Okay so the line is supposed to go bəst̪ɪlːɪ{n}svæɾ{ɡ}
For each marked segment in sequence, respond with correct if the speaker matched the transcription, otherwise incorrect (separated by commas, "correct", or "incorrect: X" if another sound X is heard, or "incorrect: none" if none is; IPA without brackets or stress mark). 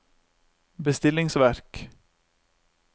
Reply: incorrect: ŋ, incorrect: k